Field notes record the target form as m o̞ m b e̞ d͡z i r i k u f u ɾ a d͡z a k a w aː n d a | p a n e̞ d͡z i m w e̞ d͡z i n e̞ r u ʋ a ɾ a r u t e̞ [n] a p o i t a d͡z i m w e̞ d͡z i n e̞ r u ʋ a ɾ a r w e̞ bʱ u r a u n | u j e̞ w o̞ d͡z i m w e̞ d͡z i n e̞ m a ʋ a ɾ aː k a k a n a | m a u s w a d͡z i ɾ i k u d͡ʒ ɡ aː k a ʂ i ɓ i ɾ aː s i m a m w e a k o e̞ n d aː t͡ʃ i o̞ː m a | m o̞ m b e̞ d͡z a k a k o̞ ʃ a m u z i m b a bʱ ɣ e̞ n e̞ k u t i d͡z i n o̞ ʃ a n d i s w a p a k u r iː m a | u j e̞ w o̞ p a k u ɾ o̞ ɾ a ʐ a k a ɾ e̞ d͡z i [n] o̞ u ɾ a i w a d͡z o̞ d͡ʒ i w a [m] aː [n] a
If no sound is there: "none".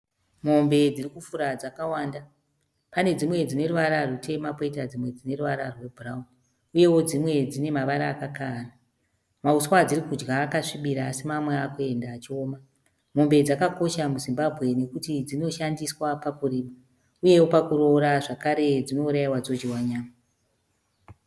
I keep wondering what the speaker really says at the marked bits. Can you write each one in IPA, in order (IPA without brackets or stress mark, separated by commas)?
m, n, ɲ, m